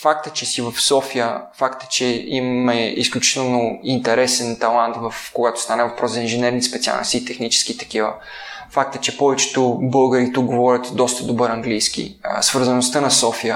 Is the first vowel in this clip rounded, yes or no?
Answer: no